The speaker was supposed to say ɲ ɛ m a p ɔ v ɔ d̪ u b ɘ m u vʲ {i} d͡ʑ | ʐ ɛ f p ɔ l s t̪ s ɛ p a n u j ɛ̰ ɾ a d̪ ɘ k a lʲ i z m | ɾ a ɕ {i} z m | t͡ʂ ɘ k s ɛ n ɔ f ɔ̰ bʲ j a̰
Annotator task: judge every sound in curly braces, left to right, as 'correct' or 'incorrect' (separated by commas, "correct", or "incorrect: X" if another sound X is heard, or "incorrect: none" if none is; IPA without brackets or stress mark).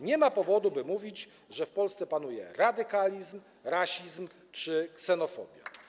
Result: correct, correct